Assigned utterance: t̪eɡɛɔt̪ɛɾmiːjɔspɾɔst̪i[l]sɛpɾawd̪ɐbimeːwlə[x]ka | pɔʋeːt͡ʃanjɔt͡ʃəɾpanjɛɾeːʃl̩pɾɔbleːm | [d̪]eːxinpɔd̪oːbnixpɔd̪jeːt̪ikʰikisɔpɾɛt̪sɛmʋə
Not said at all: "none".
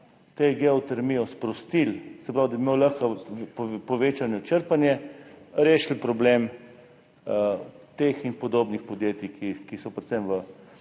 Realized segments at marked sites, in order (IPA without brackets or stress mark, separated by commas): l, x, t̪